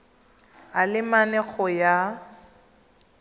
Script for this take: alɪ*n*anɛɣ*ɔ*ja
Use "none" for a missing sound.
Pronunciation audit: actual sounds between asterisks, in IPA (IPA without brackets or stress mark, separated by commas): m, ɔ